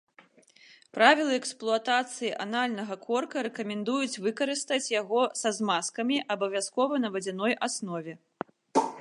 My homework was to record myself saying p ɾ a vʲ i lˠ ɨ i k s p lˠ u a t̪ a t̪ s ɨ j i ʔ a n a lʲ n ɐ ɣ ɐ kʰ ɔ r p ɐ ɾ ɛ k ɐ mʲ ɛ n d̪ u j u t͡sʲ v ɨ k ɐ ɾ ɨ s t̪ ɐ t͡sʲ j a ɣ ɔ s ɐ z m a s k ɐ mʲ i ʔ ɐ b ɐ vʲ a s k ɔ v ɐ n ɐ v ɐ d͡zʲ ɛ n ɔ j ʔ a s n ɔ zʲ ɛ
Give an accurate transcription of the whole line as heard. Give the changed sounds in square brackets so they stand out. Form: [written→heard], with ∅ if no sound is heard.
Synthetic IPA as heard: p ɾ a vʲ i lˠ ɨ [i→ɛ] k s p lˠ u a t̪ a t̪ s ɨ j i ʔ a n a lʲ n ɐ ɣ ɐ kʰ ɔ r [p→k] ɐ ɾ ɛ k ɐ mʲ ɛ n d̪ u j u t͡sʲ v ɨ k ɐ ɾ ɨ s t̪ ɐ t͡sʲ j a ɣ ɔ s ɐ z m a s k ɐ mʲ i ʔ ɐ b ɐ vʲ a s k ɔ v ɐ n ɐ v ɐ d͡zʲ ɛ n ɔ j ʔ a s n ɔ [zʲ→vʲ] ɛ